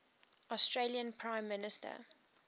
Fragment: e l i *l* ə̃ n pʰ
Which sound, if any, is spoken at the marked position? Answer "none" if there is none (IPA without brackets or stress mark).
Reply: none